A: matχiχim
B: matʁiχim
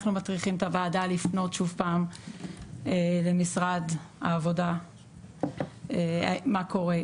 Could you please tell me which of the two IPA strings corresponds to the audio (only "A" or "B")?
B